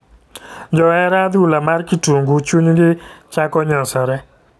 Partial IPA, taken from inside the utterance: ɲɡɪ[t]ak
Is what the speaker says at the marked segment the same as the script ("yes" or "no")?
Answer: no